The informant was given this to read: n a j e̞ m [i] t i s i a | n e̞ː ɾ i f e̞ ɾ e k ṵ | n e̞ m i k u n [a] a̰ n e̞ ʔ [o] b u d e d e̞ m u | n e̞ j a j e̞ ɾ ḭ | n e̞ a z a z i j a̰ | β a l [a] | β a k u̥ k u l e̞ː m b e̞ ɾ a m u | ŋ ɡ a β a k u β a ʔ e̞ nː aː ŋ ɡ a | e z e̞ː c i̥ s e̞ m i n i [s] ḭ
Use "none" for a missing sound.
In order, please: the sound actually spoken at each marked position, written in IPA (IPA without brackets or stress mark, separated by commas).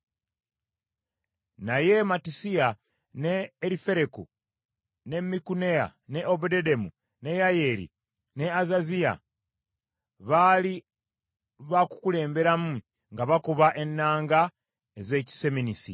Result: a, e, o, i, s